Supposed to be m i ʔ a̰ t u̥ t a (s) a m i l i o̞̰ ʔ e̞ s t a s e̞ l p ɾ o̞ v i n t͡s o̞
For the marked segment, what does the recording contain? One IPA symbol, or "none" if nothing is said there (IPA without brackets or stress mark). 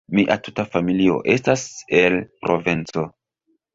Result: f